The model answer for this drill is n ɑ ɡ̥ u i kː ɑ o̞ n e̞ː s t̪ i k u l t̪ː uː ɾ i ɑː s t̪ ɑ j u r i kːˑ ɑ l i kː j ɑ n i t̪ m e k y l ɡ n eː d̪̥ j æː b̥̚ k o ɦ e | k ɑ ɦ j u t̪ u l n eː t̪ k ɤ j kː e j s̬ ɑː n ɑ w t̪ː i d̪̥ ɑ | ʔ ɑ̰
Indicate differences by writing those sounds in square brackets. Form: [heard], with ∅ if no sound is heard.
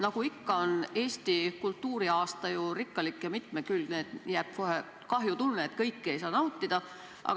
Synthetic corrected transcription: n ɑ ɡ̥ u i kː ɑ o̞ n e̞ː s t̪ i k u l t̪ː uː ɾ i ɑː s t̪ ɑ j u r i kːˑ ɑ l i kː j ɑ [m] i t̪ m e k y l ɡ n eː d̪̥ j æː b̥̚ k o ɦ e | k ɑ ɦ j u t̪ u l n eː t̪ k ɤ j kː e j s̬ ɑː n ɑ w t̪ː i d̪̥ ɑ | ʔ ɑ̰

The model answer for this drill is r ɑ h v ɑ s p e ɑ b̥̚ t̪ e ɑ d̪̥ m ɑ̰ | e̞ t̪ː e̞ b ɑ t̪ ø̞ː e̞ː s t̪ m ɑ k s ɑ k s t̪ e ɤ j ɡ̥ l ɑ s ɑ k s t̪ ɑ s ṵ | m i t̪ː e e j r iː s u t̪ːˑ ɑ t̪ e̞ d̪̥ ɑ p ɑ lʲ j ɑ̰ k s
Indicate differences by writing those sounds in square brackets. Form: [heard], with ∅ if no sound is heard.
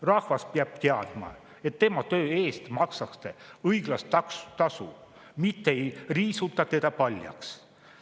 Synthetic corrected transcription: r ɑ h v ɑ s p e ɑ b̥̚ t̪ e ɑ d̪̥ m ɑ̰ | e̞ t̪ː e̞ [m] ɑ t̪ ø̞ː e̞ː s t̪ m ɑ k s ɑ k s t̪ e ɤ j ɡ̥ l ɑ s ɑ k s t̪ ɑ s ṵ | m i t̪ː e e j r iː s u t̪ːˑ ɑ t̪ e̞ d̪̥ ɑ p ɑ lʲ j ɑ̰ k s

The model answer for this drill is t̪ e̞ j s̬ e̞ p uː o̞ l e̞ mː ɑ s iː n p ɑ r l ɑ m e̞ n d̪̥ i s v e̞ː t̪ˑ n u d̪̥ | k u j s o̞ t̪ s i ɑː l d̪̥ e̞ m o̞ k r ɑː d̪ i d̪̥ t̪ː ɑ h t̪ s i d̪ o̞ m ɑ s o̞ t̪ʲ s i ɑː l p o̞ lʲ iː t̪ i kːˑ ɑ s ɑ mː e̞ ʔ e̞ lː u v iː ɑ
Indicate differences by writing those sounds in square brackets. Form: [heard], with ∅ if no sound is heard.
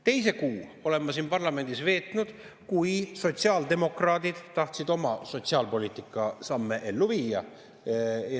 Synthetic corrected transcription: t̪ e̞ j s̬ e̞ [k] uː o̞ l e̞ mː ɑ s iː n p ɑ r l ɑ m e̞ n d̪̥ i s v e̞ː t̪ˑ n u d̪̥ | k u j s o̞ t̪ s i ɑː l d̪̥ e̞ m o̞ k r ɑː d̪ i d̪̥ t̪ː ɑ h t̪ s i d̪ o̞ m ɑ s o̞ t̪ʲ s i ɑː l p o̞ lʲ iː t̪ i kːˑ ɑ s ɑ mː e̞ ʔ e̞ lː u v iː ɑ

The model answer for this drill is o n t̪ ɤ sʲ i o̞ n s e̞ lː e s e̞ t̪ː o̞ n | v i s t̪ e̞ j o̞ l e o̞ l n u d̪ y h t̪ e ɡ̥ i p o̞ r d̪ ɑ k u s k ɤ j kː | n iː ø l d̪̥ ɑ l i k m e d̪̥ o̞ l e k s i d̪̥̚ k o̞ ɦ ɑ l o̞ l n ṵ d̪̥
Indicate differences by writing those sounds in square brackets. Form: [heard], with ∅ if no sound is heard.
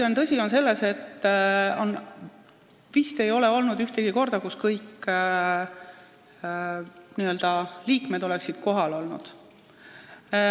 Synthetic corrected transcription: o n t̪ ɤ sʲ i o̞ n s e̞ lː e s e̞ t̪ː o̞ n | v i s t̪ e̞ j o̞ l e o̞ l n u d̪ y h t̪ e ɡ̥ i [k] o̞ r d̪ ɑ k u s k ɤ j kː | n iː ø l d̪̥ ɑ l [iː] k m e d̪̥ o̞ l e k s i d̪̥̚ k o̞ ɦ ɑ l o̞ l n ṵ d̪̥

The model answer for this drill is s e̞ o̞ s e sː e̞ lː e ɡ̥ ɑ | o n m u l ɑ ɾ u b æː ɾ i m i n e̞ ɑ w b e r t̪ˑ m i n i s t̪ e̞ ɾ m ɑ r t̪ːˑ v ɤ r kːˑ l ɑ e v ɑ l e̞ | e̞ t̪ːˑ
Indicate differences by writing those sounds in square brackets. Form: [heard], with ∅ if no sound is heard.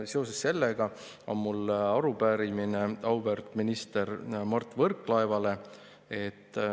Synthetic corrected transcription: s e̞ o̞ s e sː e̞ lː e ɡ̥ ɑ | o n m u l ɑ ɾ u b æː ɾ i m i n e̞ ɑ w b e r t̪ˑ m i n i s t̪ e̞ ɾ m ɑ r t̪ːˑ v ɤ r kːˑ l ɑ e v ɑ l e̞ | e̞ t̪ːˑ

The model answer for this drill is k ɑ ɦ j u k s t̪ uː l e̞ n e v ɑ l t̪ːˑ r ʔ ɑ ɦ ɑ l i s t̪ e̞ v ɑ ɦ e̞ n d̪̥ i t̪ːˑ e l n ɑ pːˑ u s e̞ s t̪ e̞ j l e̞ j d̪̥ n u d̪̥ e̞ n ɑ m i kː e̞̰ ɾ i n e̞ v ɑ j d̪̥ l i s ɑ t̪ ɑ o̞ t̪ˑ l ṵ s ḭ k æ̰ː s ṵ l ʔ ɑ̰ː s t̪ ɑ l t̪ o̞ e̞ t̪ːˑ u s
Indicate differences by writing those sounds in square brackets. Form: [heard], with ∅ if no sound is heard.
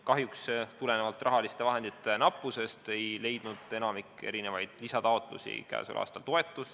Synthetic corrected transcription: k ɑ ɦ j u k s t̪ [u] l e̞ n e v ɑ l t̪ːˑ r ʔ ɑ ɦ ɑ l i s t̪ e̞ v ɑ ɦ e̞ n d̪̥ i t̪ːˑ e [∅] n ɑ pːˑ u s e̞ s t̪ e̞ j l e̞ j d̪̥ n u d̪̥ e̞ n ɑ m i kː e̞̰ ɾ i n e̞ v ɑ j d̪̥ l i s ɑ t̪ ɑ o̞ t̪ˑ l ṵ s ḭ k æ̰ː s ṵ l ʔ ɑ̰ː s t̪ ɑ l t̪ o̞ e̞ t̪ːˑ u s

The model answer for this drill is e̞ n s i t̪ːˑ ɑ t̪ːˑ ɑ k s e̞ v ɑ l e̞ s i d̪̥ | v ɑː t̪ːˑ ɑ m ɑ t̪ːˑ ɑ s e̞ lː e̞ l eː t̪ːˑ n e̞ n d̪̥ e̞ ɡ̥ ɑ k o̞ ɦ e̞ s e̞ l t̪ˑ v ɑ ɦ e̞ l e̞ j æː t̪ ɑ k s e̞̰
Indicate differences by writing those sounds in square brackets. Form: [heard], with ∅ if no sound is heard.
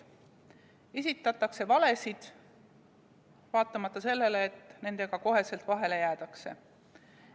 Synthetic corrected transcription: e̞ [∅] s i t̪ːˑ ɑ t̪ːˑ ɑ k s e̞ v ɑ l e̞ s i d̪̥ | v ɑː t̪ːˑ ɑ m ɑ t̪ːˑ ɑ s e̞ lː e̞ l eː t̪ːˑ n e̞ n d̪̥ e̞ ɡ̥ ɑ k o̞ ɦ e̞ s e̞ l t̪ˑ v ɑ ɦ e̞ l e̞ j æː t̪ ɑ k s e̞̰

